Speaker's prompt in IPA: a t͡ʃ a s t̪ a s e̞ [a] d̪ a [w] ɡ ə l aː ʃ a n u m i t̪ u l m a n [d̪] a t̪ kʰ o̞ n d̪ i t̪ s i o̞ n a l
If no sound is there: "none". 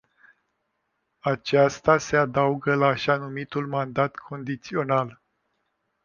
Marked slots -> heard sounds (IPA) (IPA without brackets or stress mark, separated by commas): a, u, d̪